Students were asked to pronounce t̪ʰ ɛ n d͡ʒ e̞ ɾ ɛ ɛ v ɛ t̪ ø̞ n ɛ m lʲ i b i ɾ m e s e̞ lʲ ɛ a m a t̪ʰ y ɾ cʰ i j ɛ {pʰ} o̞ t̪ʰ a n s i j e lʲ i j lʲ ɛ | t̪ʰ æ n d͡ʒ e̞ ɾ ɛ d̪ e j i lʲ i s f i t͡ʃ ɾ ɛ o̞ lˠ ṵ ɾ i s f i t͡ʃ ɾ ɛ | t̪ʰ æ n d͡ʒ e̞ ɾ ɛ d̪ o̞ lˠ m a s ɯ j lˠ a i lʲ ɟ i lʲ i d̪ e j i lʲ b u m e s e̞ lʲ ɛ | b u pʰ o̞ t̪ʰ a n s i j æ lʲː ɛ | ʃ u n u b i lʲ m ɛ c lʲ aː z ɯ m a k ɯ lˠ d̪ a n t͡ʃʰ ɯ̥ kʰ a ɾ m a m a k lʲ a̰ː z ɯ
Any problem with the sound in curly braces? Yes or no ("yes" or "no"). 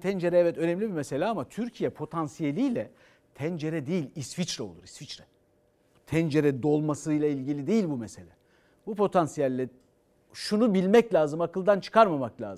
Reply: no